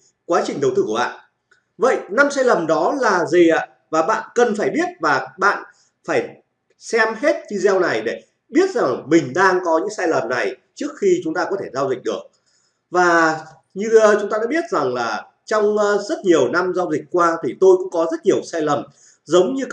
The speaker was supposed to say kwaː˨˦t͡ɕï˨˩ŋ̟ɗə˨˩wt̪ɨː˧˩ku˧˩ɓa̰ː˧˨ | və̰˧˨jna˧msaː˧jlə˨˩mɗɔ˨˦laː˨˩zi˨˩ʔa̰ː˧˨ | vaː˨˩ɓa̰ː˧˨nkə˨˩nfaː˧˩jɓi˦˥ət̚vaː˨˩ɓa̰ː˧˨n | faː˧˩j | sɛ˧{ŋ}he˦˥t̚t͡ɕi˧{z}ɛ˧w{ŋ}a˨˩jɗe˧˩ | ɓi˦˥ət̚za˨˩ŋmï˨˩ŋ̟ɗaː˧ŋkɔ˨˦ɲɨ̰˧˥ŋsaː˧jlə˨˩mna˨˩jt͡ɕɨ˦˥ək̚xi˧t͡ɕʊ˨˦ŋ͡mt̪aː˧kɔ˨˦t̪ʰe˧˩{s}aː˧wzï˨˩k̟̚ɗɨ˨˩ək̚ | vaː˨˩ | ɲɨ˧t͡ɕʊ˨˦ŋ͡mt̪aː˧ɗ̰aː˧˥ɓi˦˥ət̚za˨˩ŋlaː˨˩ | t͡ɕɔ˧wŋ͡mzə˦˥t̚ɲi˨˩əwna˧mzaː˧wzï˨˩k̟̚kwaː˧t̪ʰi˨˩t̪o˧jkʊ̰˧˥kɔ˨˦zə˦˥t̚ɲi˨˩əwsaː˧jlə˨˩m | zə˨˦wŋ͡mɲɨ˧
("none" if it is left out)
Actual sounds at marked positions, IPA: m, z, n, z

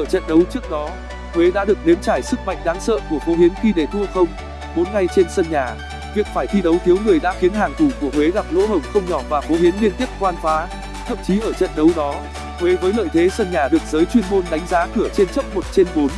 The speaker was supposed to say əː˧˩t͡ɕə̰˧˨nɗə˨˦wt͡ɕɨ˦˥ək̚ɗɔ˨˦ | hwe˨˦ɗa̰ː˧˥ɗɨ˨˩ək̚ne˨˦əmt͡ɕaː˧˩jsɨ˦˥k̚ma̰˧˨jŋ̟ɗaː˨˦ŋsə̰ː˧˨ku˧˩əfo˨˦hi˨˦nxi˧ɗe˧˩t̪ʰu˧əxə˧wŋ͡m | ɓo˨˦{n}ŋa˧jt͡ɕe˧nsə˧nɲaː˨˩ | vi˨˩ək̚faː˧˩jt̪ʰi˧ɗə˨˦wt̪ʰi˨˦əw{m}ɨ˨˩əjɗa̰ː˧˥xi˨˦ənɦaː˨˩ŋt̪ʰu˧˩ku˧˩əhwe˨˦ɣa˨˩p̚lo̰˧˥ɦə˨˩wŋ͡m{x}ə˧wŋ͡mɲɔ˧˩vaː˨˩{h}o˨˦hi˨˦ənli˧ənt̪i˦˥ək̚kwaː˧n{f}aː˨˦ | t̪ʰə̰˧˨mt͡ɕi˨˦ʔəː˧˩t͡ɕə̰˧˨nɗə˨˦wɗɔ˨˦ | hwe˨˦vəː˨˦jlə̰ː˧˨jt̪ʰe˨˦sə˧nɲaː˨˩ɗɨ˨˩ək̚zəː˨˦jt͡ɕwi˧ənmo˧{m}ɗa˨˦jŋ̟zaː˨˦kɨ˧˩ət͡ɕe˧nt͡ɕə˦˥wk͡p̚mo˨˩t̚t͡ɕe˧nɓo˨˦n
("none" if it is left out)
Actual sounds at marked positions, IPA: n, ŋ, x, f, f, n

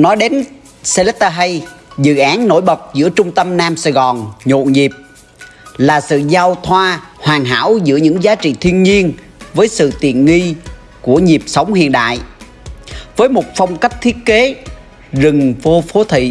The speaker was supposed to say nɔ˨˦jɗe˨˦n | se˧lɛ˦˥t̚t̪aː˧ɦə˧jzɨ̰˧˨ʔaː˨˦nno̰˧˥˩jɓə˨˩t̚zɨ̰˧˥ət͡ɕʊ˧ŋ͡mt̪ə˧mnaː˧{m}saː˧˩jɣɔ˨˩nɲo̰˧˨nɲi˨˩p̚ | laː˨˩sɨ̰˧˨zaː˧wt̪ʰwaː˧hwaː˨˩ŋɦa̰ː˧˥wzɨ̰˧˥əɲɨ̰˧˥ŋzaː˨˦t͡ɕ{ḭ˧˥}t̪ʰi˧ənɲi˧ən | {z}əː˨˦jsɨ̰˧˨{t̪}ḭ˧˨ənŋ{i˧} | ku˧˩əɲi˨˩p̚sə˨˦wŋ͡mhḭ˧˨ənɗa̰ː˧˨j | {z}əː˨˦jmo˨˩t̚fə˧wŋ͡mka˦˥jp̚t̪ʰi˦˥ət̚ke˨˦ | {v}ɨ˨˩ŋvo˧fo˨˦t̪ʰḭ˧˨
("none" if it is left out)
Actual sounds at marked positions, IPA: m, ḭ˧˨, v, t̪, i˧, v, z

